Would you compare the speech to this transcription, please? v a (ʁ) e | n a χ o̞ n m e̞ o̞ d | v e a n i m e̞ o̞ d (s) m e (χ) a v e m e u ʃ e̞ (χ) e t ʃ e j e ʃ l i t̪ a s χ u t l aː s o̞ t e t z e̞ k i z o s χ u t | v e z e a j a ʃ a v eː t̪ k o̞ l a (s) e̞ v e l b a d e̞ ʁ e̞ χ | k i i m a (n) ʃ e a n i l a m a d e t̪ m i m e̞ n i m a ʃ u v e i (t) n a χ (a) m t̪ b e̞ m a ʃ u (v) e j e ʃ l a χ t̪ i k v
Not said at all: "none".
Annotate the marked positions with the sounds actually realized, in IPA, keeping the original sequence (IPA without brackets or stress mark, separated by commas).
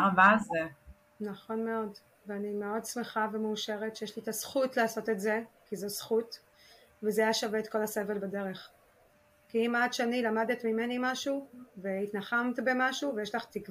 z, s, χ, ʁ, s, d, t, a, v